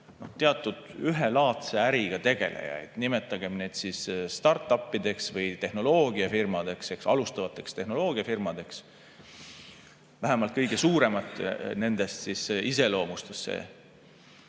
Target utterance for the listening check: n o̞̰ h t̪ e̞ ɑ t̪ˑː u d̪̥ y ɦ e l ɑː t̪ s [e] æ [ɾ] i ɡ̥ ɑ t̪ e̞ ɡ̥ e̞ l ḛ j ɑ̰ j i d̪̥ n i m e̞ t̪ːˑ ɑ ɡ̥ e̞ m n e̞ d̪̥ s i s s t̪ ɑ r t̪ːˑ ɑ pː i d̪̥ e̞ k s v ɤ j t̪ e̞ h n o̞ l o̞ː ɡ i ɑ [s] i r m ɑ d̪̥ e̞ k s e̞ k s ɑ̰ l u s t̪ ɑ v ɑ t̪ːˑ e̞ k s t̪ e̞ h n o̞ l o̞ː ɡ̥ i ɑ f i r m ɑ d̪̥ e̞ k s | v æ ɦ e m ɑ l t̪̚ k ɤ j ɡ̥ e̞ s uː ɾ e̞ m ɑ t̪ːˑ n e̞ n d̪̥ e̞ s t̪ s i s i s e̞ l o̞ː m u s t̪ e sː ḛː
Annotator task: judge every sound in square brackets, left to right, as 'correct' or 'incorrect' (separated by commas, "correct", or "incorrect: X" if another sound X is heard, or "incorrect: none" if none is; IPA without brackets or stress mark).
correct, correct, incorrect: f